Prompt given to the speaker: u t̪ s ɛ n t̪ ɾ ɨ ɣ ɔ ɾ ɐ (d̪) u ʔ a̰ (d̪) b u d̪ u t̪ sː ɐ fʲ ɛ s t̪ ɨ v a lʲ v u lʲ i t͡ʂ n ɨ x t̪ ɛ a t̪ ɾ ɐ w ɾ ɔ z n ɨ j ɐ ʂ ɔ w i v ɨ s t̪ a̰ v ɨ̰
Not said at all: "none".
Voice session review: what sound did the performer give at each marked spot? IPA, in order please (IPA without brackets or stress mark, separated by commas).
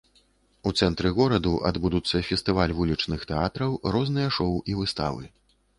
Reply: d̪, d̪